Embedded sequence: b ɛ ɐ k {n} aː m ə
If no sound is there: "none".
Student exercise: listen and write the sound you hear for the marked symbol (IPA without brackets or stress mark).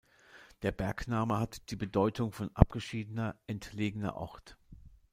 n